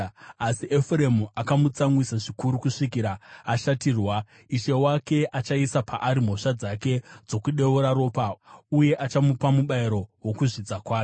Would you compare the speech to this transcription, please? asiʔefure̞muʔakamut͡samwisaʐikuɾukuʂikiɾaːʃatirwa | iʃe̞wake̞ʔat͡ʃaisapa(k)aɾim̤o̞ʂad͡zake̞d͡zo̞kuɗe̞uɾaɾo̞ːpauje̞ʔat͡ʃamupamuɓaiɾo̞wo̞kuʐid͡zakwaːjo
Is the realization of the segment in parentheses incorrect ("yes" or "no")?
yes